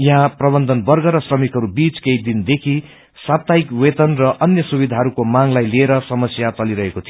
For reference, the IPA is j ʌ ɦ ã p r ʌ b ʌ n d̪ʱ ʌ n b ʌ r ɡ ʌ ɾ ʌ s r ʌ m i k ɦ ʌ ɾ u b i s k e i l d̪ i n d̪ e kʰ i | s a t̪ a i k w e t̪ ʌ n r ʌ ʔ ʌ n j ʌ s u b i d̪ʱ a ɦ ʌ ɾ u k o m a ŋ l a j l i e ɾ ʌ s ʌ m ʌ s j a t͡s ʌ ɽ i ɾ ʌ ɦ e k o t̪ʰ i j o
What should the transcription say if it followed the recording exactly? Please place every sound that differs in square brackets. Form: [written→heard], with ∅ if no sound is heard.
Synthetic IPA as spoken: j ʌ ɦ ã p r ʌ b ʌ n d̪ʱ ʌ n b ʌ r ɡ ʌ ɾ ʌ s r ʌ m i k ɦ ʌ ɾ u b i [s→t͡s] k e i [l→∅] d̪ i n d̪ e kʰ i | s a t̪ a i k w e t̪ ʌ n r ʌ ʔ ʌ n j ʌ s u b i d̪ʱ a ɦ ʌ ɾ u k o m a ŋ l a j l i e ɾ ʌ s ʌ m ʌ s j a t͡s ʌ [ɽ→l] i ɾ ʌ ɦ e k o t̪ʰ i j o